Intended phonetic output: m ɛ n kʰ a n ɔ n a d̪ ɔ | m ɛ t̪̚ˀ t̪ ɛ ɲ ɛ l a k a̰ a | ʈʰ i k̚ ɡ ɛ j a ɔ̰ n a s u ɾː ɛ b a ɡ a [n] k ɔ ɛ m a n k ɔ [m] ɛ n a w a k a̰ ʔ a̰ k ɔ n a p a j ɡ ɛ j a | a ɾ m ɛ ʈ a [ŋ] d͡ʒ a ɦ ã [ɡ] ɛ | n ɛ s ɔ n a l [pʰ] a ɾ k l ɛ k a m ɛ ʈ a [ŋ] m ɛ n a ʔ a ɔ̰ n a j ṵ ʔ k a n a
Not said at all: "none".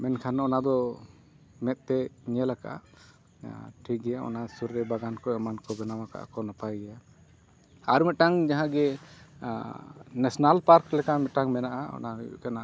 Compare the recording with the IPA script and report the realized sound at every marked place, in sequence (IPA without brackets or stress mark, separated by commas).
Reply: n, b, ŋ, ɡ, p, ŋ